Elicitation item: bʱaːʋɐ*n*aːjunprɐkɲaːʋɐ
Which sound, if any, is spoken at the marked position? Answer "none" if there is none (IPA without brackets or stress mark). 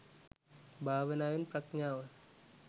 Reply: n